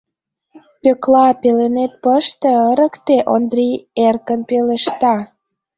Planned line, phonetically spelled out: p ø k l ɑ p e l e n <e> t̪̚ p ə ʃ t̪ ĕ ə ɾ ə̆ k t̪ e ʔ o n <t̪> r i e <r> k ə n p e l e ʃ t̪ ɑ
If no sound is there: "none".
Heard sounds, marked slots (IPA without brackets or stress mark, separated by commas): e, d̪, r